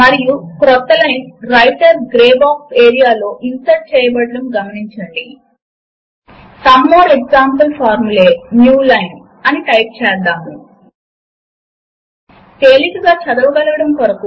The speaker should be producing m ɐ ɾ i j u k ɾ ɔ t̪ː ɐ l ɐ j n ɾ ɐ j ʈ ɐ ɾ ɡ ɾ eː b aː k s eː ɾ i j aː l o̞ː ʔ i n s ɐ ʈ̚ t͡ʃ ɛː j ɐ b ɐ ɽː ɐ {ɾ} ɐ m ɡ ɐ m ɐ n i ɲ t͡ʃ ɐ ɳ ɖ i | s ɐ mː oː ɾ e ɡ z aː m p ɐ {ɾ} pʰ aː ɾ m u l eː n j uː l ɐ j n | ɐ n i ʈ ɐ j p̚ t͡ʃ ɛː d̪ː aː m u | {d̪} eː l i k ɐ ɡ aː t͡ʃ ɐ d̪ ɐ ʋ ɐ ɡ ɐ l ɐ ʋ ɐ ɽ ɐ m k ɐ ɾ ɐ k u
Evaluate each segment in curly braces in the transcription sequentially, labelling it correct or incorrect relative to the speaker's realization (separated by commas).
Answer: incorrect, incorrect, incorrect